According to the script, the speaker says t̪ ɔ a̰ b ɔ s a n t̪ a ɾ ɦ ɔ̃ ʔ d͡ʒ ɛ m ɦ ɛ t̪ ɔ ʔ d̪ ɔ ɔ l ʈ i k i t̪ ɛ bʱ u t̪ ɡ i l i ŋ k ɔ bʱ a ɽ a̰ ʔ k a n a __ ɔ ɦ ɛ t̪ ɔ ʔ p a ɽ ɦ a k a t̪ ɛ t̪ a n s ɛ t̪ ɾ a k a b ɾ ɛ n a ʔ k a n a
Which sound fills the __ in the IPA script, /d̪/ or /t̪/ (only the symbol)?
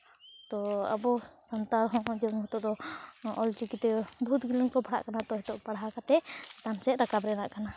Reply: t̪